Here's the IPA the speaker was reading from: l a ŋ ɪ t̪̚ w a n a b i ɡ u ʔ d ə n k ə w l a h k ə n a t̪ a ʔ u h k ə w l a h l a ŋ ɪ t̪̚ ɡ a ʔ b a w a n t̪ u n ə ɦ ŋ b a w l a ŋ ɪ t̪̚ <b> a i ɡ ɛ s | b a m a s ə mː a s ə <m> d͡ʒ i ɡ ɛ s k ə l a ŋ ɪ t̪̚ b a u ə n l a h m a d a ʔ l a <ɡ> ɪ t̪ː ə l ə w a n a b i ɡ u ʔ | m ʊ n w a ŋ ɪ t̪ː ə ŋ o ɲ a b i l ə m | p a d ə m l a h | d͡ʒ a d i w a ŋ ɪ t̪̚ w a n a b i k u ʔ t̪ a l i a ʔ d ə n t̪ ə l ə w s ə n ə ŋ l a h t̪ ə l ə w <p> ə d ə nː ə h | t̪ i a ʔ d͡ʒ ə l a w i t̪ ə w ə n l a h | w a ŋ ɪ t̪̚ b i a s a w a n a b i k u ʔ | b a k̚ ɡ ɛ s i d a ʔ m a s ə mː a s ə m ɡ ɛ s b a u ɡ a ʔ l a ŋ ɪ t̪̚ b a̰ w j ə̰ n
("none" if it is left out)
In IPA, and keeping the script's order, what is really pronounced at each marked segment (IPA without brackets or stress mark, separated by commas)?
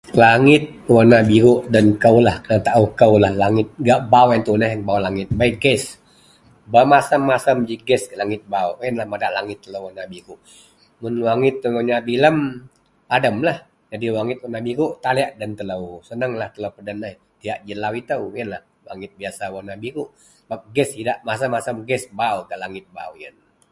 b, m, ŋ, p